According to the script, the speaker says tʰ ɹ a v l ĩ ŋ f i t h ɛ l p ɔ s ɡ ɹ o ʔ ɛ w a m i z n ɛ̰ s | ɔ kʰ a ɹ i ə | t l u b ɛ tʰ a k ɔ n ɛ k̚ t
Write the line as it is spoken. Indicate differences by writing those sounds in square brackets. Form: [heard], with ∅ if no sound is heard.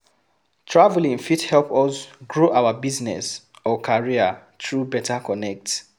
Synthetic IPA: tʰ ɹ a v l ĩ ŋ f i t h ɛ l p ɔ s ɡ ɹ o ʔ [a] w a [b] i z n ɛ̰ s | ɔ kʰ a ɹ i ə | t [ɹ] u b ɛ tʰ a k ɔ n ɛ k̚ t